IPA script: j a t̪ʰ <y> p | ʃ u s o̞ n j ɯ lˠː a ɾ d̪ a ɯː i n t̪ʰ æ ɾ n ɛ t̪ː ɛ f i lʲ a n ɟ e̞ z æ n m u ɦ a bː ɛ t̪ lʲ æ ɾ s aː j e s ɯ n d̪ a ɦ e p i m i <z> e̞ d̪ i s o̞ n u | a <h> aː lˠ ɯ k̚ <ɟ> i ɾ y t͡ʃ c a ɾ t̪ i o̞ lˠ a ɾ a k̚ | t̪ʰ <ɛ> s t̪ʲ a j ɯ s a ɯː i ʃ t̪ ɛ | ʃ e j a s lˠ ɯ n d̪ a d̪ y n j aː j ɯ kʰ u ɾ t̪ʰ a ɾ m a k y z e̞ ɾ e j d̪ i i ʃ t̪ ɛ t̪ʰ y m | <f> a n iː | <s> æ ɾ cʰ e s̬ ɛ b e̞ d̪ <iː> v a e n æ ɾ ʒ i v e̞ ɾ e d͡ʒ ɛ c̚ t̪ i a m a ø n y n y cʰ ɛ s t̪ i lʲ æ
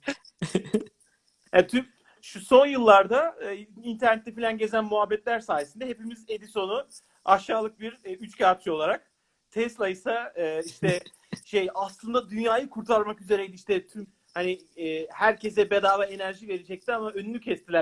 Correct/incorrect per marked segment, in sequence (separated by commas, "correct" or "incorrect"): correct, correct, incorrect, incorrect, correct, incorrect, incorrect, incorrect